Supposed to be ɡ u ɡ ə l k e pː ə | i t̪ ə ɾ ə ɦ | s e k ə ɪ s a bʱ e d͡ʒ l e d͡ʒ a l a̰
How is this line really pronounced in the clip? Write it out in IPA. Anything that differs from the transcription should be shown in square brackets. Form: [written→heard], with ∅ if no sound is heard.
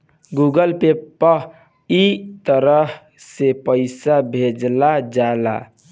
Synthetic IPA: ɡ u ɡ ə l [k→p] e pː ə | i t̪ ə ɾ ə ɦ | s e [k→p] ə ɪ s a bʱ e d͡ʒ l [e→a] d͡ʒ a l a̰

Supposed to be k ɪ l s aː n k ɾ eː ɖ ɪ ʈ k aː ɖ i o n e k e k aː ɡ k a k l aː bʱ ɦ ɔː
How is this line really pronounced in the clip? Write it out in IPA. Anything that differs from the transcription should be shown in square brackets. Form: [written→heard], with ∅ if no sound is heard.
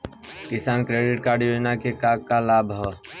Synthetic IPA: k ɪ [l→∅] s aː n k ɾ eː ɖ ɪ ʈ k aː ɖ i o n [e→a] k e k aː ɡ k a [k→∅] l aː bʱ ɦ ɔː

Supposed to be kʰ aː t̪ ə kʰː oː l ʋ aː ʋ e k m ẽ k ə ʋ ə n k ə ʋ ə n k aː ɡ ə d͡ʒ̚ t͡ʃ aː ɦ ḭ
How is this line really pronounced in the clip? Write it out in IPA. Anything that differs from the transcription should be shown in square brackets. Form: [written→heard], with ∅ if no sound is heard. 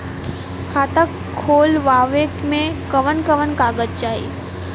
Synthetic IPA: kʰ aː t̪ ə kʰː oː l ʋ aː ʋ e k m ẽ k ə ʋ ə n k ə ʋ ə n k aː ɡ ə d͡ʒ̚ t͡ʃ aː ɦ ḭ

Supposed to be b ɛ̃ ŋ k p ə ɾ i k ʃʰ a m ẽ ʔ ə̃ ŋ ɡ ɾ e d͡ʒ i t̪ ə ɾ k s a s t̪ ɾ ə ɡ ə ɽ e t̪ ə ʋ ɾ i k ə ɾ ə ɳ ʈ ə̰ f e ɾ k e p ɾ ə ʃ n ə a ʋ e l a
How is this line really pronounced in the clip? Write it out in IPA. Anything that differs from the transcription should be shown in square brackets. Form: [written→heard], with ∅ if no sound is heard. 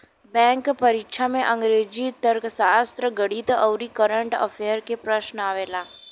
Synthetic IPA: b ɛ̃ ŋ k p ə ɾ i k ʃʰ a m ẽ ʔ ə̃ ŋ ɡ ɾ e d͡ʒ i t̪ ə ɾ k s a s t̪ ɾ ə ɡ ə ɽ [e→i] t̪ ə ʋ ɾ i k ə ɾ ə ɳ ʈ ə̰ f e ɾ k e p ɾ ə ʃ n ə a ʋ e l a

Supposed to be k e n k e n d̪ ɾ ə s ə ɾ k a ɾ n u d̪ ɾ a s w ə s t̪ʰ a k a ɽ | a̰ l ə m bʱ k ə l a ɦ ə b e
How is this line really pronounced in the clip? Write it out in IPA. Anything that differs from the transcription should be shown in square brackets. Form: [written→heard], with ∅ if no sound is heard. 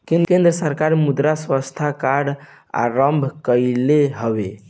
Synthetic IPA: k e n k e n d̪ ɾ ə s ə ɾ k a ɾ [n→m] u d̪ ɾ a s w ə s t̪ʰ a k a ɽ | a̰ [l→ɾ] ə m bʱ k ə l [a→e] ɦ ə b e

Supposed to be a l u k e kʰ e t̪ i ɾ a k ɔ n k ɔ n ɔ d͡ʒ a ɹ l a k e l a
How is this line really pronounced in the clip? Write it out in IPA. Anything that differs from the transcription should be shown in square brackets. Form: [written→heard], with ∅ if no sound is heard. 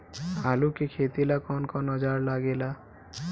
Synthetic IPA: a l u k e kʰ e t̪ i [ɾ→l] a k ɔ n k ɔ n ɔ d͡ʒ a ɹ l a [k→ɡ] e l a

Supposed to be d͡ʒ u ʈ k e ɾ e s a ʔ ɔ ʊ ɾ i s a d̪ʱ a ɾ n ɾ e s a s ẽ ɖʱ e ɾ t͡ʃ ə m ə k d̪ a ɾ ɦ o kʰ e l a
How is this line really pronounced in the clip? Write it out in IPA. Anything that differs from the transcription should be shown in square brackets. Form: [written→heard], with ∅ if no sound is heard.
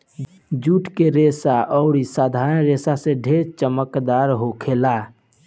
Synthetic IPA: d͡ʒ u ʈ k e ɾ e s a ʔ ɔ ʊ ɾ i s a d̪ʱ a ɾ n ɾ e s a s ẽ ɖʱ e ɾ t͡ʃ ə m ə k d̪ a ɾ ɦ o kʰ e l a

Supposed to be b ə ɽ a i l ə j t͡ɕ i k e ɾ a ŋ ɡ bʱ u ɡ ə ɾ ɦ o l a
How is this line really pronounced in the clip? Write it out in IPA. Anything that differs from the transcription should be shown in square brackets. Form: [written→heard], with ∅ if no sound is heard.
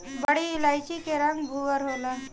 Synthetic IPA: b ə ɽ [a→i] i l [ə→a] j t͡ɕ i k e ɾ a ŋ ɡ bʱ u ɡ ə ɾ ɦ o l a

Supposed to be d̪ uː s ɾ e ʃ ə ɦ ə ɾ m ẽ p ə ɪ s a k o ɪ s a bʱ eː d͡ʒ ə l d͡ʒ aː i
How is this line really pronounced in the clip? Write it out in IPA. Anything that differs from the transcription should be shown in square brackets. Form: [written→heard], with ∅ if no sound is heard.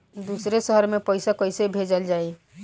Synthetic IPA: d̪ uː s ɾ e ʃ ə ɦ ə ɾ m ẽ p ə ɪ s a k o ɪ s [a→e] bʱ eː d͡ʒ ə l d͡ʒ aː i

